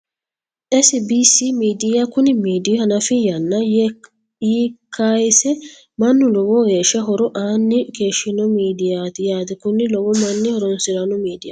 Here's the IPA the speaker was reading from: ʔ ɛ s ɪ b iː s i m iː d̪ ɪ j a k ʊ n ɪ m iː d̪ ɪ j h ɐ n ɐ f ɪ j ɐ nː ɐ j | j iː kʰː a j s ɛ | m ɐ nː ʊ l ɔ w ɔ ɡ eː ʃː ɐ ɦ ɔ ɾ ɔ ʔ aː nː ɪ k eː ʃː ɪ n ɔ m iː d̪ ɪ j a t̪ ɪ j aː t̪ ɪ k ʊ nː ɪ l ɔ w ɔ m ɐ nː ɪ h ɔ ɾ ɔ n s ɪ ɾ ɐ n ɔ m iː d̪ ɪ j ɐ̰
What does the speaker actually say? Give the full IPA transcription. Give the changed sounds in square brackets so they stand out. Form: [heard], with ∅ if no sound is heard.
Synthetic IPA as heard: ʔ ɛ s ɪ b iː s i m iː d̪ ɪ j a k ʊ n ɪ m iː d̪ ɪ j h ɐ n ɐ f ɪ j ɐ nː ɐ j | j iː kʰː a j s ɛ | m ɐ nː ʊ l ɔ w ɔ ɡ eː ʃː ɐ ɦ ɔ ɾ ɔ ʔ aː nː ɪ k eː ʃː ɪ n ɔ m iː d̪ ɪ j a t̪ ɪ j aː t̪ ɪ k ʊ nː ɪ l ɔ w ɔ m ɐ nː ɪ h ɔ ɾ ɔ n s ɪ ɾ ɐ n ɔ m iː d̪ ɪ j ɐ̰

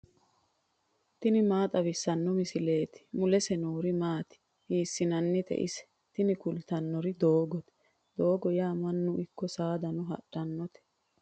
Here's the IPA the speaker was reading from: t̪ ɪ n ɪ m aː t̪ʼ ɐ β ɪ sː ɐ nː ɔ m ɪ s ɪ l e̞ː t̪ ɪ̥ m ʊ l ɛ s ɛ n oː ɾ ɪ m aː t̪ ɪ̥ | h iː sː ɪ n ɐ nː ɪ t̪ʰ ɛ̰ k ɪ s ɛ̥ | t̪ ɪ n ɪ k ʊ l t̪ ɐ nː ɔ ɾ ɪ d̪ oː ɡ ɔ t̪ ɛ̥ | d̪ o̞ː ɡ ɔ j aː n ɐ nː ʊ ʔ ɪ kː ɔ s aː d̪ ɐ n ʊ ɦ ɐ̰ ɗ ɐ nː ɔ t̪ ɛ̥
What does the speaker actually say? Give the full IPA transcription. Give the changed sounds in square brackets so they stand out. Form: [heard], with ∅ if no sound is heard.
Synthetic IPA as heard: t̪ ɪ n ɪ m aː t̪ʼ ɐ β ɪ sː ɐ nː ɔ m ɪ s ɪ l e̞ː t̪ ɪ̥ m ʊ l ɛ s ɛ n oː ɾ ɪ m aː t̪ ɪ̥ | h iː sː ɪ n ɐ nː ɪ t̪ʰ ɛ̰ [ʔ] ɪ s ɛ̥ | t̪ ɪ n ɪ k ʊ l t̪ ɐ nː ɔ ɾ ɪ d̪ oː ɡ ɔ t̪ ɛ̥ | d̪ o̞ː ɡ ɔ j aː [m] ɐ nː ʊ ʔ ɪ kː ɔ s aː d̪ ɐ n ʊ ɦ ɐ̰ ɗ ɐ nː ɔ t̪ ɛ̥

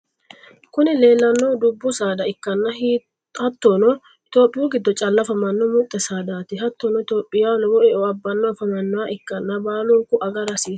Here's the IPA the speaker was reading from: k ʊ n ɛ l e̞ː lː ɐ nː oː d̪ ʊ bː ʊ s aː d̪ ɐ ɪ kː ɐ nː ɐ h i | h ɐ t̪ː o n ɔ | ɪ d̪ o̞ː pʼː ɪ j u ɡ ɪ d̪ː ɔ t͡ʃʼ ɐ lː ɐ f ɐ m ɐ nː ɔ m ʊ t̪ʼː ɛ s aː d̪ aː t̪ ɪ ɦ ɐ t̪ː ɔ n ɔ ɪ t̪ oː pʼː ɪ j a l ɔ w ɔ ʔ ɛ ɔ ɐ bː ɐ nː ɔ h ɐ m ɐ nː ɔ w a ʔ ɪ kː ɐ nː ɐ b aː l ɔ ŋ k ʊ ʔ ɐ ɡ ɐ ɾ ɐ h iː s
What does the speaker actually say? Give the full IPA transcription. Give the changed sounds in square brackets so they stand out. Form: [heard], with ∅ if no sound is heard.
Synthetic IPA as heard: k ʊ n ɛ l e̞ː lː ɐ nː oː d̪ ʊ bː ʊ s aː d̪ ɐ ɪ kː ɐ nː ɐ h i | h ɐ t̪ː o n ɔ | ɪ [t̪] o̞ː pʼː ɪ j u ɡ ɪ d̪ː ɔ t͡ʃʼ ɐ lː ɐ f ɐ m ɐ nː ɔ m ʊ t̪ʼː ɛ s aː d̪ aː t̪ ɪ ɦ ɐ t̪ː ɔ n ɔ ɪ t̪ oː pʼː ɪ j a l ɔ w ɔ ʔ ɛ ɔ ɐ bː ɐ nː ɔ [f] ɐ m ɐ nː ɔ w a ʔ ɪ kː ɐ nː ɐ b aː l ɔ ŋ k ʊ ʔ ɐ ɡ ɐ ɾ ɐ [s] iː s

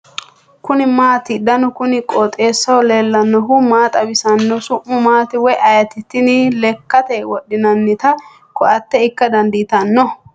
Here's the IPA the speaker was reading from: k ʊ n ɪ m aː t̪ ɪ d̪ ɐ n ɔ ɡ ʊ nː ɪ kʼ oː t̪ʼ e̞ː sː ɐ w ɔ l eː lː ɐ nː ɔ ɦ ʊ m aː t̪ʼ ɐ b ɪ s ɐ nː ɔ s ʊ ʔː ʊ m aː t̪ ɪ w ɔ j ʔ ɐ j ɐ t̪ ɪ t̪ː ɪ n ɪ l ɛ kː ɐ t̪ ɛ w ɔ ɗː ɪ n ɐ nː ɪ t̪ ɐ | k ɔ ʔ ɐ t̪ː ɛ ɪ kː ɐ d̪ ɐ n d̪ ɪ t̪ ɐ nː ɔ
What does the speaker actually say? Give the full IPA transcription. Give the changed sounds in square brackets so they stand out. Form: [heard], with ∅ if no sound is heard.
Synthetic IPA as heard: k ʊ n ɪ m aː t̪ ɪ d̪ ɐ n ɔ [k] ʊ [n] ɪ kʼ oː t̪ʼ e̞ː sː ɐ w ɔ l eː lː ɐ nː ɔ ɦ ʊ m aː t̪ʼ ɐ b ɪ s ɐ nː ɔ s ʊ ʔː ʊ m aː t̪ ɪ w ɔ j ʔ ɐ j ɐ t̪ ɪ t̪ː ɪ n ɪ l ɛ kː ɐ t̪ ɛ w ɔ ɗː ɪ n ɐ nː ɪ t̪ ɐ | k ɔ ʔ ɐ t̪ː ɛ ɪ kː ɐ d̪ ɐ n d̪ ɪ t̪ ɐ nː ɔ

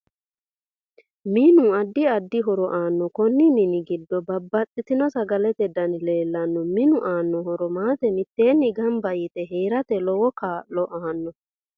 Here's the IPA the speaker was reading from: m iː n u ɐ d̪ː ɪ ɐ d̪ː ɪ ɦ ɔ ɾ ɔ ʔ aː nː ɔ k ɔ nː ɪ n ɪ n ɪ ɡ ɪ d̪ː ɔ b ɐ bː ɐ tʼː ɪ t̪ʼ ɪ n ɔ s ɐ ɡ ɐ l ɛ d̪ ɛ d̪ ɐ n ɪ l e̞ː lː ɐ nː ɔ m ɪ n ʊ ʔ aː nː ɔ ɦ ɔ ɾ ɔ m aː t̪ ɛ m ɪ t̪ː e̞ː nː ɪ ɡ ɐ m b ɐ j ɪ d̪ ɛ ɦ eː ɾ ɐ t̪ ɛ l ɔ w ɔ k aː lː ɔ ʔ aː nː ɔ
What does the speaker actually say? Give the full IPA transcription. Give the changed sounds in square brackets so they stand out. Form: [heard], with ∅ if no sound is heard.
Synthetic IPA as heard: m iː n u ɐ d̪ː ɪ ɐ d̪ː ɪ ɦ ɔ ɾ ɔ ʔ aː nː ɔ k ɔ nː ɪ n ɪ n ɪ ɡ ɪ d̪ː ɔ b ɐ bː ɐ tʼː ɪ [t̪] ɪ n ɔ s ɐ ɡ ɐ l ɛ [t̪] ɛ d̪ ɐ n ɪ l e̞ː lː ɐ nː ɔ m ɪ n ʊ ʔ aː nː ɔ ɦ ɔ ɾ ɔ m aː t̪ ɛ m ɪ t̪ː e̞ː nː ɪ ɡ ɐ m b ɐ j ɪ [t̪] ɛ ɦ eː ɾ ɐ t̪ ɛ l ɔ w ɔ k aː [l] ɔ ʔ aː nː ɔ

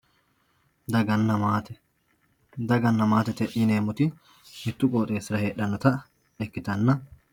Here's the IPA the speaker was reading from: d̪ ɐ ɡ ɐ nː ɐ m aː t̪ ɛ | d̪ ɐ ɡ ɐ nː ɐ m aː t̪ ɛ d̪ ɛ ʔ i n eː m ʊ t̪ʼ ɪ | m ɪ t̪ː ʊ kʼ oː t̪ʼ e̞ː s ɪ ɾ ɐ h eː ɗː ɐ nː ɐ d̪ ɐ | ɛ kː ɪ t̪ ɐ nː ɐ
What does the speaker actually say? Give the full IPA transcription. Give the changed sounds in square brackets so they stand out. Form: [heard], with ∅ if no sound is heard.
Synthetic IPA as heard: d̪ ɐ ɡ ɐ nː ɐ m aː t̪ ɛ | d̪ ɐ ɡ ɐ nː ɐ m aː t̪ ɛ [t̪] ɛ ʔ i n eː m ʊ [t̪] ɪ | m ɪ t̪ː ʊ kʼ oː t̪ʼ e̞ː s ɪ ɾ ɐ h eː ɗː ɐ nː ɐ [t̪] ɐ | ɛ kː ɪ t̪ ɐ nː ɐ

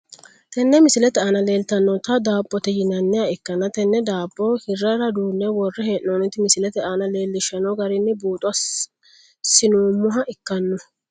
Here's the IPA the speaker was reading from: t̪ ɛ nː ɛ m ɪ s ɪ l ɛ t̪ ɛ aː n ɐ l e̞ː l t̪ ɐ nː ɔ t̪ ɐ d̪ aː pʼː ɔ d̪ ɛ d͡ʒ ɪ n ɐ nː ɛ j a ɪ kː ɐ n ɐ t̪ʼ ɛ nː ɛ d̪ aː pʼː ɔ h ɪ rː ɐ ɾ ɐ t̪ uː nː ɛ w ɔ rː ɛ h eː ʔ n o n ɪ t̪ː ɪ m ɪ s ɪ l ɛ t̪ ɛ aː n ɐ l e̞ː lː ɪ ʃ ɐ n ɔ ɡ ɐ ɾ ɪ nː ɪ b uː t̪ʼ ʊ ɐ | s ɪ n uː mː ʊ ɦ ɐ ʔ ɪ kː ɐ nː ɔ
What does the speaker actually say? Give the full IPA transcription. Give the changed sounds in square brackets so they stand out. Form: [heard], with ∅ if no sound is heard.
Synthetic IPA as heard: t̪ ɛ nː ɛ m ɪ s ɪ l ɛ t̪ ɛ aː n ɐ l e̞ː l t̪ ɐ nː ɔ t̪ ɐ d̪ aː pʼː ɔ [t̪] ɛ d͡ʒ ɪ n ɐ nː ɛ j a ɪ kː ɐ n ɐ [t̪] ɛ nː ɛ d̪ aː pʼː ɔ h ɪ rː ɐ ɾ ɐ [d̪] uː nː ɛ w ɔ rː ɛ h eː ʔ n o n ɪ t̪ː ɪ m ɪ s ɪ l ɛ t̪ ɛ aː n ɐ l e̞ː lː ɪ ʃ ɐ n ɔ ɡ ɐ ɾ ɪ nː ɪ b uː t̪ʼ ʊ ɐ | s ɪ n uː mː ʊ ɦ ɐ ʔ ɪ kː ɐ nː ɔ

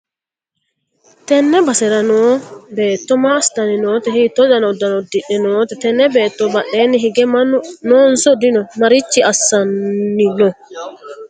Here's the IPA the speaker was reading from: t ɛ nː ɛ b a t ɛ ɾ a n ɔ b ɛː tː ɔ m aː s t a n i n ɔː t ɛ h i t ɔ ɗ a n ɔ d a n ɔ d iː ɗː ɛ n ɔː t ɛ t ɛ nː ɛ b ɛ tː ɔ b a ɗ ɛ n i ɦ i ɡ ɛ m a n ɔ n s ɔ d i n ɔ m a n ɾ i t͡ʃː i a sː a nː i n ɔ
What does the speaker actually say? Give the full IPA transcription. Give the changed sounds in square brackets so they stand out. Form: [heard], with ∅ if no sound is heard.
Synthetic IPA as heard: t ɛ nː ɛ b a [s] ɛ ɾ a n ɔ b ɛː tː ɔ m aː s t a n i n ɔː t ɛ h i t ɔ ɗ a n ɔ d a n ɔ d [i] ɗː ɛ n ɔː t ɛ t ɛ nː ɛ b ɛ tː ɔ b a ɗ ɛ n i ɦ i ɡ ɛ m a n ɔ n s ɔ d i n ɔ m a [∅] ɾ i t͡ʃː i a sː a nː i n ɔ

